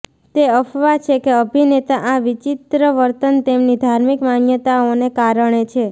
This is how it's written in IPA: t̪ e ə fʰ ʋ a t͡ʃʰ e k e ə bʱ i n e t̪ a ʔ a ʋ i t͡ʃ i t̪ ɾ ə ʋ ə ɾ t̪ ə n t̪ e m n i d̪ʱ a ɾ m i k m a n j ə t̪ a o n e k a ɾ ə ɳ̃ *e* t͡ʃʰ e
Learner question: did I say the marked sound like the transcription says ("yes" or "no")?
yes